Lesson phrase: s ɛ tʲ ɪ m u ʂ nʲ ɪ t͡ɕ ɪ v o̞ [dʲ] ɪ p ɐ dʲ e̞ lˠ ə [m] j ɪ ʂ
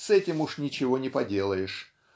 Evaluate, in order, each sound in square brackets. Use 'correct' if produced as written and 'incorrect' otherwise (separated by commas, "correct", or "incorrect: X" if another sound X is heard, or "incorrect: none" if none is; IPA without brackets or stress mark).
incorrect: nʲ, incorrect: none